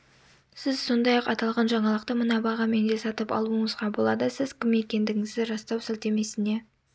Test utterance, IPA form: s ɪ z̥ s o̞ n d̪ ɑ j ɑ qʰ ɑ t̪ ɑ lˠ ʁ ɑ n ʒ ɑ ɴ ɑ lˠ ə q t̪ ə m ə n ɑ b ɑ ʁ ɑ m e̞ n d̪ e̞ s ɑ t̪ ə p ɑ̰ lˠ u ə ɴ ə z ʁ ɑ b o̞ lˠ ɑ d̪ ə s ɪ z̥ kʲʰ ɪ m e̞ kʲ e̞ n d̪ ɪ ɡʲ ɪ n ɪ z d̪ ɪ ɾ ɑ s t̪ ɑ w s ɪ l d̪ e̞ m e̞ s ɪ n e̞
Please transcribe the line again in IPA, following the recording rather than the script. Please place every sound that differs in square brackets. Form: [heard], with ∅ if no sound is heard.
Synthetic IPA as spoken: s ɪ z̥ s o̞ n d̪ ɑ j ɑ [q] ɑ t̪ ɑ lˠ ʁ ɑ n ʒ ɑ ɴ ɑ lˠ ə q t̪ ə m ə n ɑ b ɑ ʁ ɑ m e̞ n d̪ e̞ s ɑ t̪ ə p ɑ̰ lˠ u ə ɴ ə z ʁ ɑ b o̞ lˠ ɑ d̪ ə s ɪ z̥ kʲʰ ɪ m e̞ kʲ e̞ n d̪ ɪ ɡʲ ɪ [ŋ] ɪ z d̪ ɪ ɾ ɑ s t̪ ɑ w s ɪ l [t̪] e̞ m e̞ s ɪ n e̞